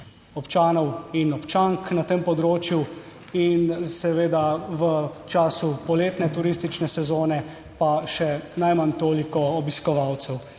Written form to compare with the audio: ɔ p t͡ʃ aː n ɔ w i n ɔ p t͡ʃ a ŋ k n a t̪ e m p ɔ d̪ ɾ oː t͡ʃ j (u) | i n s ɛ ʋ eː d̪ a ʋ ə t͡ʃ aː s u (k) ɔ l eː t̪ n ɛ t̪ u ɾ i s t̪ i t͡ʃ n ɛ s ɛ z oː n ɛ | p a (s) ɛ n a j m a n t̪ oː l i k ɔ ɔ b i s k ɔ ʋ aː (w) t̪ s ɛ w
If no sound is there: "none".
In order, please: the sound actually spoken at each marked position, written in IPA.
u, p, ʃ, w

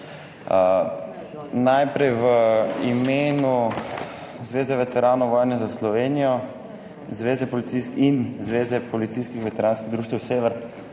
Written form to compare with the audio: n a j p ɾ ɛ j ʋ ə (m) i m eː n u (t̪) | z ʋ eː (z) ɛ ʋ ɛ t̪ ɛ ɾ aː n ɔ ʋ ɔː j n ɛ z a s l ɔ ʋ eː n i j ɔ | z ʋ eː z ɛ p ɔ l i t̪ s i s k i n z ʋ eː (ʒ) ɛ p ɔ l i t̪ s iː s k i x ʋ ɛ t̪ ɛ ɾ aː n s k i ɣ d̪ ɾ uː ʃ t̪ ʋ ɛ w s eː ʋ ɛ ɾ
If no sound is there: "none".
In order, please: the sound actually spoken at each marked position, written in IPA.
none, none, z, z

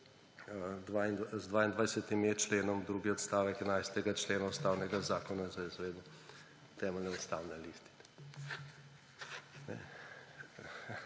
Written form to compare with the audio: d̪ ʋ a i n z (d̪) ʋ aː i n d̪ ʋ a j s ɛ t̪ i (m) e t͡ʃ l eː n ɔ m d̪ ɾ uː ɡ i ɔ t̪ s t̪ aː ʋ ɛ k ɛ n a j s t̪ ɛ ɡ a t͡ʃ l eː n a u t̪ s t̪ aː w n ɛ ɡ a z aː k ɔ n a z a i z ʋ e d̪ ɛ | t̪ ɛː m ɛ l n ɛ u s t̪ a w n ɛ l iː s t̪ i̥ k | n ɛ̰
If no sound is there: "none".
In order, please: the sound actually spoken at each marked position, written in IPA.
d̪, m

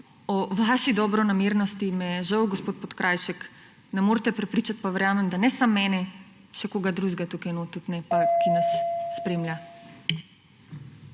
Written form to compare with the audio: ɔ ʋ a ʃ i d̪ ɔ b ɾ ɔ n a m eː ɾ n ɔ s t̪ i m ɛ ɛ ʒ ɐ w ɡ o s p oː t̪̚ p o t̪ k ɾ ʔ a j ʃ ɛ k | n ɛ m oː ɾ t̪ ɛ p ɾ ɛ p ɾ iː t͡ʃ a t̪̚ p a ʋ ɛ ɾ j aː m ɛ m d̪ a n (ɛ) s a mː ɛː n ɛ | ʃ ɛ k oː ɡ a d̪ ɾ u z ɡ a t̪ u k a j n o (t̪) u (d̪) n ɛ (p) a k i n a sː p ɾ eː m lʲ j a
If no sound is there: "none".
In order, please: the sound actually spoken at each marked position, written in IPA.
ɛ, t̪, t̪, p

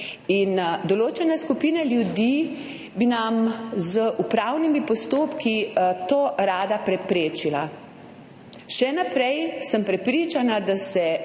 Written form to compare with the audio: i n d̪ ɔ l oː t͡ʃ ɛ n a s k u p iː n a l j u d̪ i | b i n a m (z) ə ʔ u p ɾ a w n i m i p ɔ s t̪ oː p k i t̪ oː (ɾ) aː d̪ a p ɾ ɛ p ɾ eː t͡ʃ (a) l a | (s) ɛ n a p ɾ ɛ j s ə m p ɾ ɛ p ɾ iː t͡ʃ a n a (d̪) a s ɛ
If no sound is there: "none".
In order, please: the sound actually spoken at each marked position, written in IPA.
z, ɾ, i, ʃ, d̪

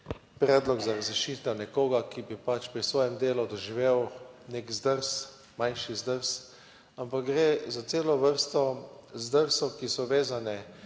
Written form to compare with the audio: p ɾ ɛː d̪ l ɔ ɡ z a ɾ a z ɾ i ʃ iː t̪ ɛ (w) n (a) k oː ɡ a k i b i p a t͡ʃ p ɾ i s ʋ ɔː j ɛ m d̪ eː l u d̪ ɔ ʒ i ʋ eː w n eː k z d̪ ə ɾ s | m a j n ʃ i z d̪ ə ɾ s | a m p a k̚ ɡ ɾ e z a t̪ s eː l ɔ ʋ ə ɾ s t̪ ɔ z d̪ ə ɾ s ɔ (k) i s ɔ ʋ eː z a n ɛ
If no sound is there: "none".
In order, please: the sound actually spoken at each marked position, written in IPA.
w, ɛ, k

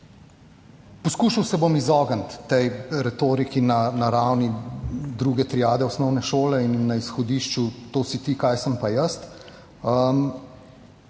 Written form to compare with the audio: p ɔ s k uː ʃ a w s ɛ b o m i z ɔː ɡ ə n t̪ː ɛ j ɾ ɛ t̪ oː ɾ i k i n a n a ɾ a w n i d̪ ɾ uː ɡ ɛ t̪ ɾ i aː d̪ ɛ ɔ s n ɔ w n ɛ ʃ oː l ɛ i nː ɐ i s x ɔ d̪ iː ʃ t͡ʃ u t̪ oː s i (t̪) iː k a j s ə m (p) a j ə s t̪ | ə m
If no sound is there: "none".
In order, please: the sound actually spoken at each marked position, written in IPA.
t̪, p

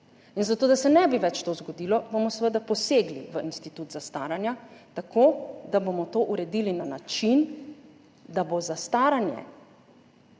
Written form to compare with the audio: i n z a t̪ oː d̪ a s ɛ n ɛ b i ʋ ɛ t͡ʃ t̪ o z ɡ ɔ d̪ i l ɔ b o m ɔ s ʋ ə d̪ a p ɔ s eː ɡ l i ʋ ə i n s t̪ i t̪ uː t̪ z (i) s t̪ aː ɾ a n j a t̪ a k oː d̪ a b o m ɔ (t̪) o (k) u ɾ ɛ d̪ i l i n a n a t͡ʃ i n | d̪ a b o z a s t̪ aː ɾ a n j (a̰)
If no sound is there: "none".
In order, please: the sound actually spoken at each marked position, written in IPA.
a, t̪, ʔ, ɛ̰

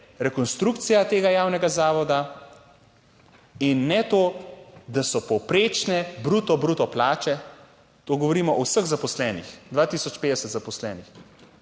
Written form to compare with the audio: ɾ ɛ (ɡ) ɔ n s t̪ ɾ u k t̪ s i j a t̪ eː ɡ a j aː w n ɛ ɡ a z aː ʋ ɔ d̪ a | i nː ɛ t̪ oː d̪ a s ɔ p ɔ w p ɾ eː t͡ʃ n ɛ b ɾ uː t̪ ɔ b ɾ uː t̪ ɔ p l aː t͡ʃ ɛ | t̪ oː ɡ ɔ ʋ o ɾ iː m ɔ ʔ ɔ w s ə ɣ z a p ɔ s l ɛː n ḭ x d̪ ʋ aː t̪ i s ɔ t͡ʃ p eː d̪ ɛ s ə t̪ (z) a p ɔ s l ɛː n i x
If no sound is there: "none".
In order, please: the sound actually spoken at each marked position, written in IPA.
k, z

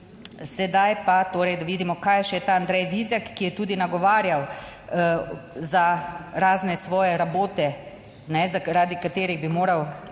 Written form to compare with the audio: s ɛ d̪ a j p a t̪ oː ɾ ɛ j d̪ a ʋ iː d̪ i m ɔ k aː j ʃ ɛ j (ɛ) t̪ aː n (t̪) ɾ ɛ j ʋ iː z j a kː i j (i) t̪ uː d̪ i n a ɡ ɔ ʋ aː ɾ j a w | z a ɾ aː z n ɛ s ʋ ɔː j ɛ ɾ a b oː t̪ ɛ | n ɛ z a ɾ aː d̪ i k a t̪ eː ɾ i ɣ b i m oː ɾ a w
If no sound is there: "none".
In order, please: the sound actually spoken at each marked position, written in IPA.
ɛ, d̪, ɛ

